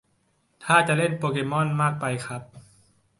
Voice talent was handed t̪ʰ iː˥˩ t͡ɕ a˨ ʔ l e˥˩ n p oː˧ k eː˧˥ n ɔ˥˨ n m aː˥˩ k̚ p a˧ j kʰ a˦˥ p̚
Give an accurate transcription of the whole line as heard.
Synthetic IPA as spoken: t̪ʰ aː˥˩ t͡ɕ a˨ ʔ l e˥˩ n p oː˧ k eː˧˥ m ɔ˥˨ n m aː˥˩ k̚ p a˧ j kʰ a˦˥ p̚